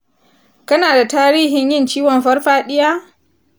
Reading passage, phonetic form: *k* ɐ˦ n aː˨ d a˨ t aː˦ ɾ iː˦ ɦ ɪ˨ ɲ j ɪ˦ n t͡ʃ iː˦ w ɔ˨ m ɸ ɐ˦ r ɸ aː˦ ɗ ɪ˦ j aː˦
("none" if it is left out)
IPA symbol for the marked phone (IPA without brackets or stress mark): k